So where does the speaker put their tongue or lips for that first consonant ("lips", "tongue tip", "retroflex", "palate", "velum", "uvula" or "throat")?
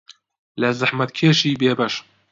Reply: tongue tip